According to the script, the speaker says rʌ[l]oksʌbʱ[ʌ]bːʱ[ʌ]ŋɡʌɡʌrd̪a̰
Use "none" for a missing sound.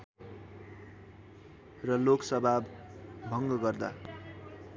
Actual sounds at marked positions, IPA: l, a, ʌ

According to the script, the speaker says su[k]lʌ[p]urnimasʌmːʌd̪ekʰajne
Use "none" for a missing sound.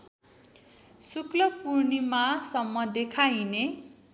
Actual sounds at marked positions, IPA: k, p

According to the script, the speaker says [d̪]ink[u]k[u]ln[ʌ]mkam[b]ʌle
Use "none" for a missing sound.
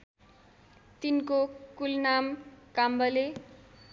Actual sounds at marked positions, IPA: t̪, o, u, a, b

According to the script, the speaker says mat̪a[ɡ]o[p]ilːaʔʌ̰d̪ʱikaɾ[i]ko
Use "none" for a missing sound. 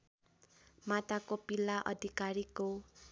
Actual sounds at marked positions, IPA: k, p, i

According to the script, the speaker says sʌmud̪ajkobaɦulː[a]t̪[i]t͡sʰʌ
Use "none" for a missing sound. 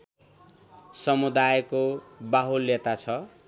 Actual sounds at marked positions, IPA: e, a

